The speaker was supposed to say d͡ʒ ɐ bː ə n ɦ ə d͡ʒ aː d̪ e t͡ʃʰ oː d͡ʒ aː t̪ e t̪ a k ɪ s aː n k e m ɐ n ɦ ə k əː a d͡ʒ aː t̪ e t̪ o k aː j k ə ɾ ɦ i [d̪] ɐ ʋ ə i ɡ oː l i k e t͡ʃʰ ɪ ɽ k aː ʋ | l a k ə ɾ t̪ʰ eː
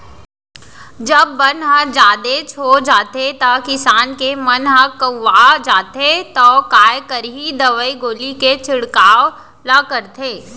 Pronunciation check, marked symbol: correct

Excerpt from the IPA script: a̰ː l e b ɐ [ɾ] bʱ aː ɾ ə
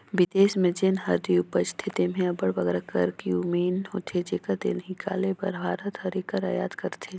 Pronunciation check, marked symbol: correct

